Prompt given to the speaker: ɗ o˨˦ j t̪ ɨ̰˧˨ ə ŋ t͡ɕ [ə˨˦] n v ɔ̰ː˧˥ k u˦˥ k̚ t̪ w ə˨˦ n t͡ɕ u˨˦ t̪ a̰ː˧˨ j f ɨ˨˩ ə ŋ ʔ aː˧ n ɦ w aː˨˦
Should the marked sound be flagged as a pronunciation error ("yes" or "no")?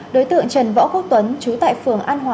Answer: yes